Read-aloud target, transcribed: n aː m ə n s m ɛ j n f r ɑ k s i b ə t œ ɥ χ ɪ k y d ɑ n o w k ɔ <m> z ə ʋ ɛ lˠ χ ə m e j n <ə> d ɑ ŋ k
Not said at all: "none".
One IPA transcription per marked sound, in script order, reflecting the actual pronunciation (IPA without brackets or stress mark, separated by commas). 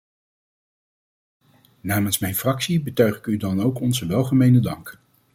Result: n, ə